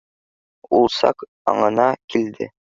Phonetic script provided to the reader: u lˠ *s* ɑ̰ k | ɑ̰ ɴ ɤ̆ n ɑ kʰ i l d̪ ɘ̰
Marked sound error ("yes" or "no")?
no